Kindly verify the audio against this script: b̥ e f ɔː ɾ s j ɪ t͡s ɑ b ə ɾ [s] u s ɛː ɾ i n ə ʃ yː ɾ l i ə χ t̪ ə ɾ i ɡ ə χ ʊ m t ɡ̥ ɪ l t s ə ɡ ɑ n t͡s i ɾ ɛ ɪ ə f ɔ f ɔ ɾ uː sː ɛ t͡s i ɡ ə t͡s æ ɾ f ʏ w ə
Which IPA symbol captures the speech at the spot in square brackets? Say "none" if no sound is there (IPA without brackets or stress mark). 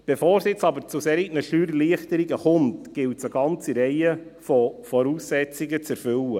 t͡s